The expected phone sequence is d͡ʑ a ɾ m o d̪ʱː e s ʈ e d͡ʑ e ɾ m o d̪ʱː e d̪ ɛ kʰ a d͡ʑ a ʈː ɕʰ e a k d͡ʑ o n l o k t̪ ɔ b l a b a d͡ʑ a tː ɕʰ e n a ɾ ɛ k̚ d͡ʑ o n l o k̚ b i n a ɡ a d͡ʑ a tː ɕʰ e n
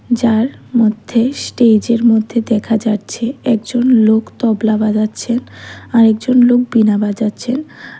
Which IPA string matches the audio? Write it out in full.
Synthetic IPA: d͡ʑ a ɾ m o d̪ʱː e s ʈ e d͡ʑ e ɾ m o d̪ʱː e d̪ ɛ kʰ a d͡ʑ a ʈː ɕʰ e ɛ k d͡ʑ o n l o k t̪ ɔ b l a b a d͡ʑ a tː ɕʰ e n a ɾ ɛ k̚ d͡ʑ o n l o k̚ b i n a b a d͡ʑ a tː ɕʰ e n